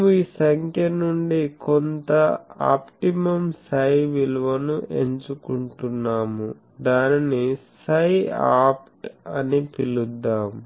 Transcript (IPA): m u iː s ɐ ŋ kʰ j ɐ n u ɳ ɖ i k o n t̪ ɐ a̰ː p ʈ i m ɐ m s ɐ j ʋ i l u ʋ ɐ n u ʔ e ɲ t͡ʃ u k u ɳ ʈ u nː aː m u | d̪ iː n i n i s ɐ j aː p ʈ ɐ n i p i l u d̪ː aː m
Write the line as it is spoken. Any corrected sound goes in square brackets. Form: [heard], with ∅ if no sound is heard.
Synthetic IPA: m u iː s ɐ ŋ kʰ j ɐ n u ɳ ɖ i k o n t̪ ɐ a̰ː p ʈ i m ɐ m s ɐ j ʋ i l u ʋ ɐ n u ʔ e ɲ t͡ʃ u k u ɳ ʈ u nː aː m u | d̪ [aː] n i n i s ɐ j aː p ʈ ɐ n i p i l u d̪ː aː m